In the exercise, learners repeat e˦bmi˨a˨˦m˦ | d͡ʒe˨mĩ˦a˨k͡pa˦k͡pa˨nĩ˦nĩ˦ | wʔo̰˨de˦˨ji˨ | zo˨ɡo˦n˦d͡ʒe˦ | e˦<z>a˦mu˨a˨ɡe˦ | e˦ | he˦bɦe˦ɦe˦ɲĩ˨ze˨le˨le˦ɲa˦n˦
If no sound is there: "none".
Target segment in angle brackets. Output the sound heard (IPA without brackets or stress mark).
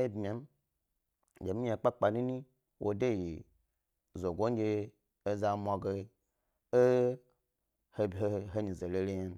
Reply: z